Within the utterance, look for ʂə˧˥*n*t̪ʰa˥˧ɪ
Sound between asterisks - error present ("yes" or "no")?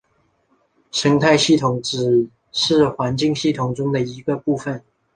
yes